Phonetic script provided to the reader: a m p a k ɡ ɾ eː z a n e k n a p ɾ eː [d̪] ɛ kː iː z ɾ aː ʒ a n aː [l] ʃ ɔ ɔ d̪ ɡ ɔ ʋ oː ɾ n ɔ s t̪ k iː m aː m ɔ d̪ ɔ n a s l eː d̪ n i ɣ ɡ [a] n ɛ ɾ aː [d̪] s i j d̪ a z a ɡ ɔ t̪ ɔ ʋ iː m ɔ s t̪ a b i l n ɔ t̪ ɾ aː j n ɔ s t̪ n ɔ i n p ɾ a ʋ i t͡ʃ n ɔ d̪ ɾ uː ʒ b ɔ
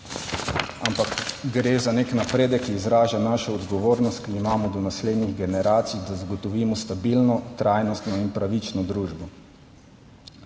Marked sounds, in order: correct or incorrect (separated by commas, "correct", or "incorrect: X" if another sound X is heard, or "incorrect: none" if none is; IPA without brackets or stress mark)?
correct, incorrect: none, incorrect: ɛ, incorrect: t̪